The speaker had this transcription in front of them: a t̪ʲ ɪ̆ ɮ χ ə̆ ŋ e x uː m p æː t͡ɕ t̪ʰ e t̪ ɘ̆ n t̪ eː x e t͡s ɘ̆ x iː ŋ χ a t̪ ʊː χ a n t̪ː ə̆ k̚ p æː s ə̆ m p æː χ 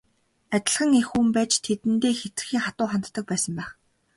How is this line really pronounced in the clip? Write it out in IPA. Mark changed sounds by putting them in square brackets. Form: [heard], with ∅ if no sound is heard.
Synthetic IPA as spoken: a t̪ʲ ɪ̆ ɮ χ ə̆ ŋ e x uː m p æː t͡ɕ t̪ʰ e t̪ ɘ̆ n t̪ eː x e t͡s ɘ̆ x iː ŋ χ a t̪ ʊː χ a n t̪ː ə̆ k̚ p æː s ə̆ m p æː χ